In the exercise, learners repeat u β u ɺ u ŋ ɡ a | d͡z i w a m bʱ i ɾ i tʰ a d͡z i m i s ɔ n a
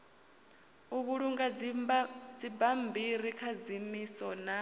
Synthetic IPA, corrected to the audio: u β u ɺ u ŋ ɡ a | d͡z i b a m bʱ i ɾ i kʰ a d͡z i m i s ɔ n a